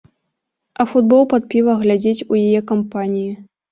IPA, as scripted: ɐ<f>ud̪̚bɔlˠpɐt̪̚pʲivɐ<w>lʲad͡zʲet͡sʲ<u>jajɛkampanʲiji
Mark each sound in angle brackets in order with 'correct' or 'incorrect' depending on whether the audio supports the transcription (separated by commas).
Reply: correct, incorrect, correct